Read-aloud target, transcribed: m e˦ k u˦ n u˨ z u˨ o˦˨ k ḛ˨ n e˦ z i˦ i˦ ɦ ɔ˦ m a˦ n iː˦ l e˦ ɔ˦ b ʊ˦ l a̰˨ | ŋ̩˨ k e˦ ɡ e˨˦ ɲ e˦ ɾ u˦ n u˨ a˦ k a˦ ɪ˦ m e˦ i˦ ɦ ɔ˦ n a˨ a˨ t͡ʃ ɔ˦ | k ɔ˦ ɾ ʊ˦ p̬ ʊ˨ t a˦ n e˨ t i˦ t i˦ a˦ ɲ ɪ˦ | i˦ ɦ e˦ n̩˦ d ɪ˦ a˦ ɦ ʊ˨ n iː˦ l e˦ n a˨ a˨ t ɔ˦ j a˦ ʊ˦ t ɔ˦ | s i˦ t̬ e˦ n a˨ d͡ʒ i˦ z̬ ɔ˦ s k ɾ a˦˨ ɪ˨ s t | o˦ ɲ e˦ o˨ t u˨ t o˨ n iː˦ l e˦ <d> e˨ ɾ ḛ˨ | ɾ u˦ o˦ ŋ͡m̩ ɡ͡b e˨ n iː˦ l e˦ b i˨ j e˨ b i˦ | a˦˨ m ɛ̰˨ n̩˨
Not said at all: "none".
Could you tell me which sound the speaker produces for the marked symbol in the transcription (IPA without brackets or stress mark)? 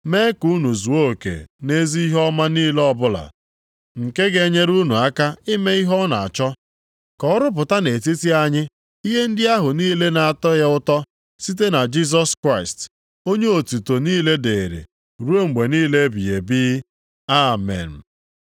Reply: d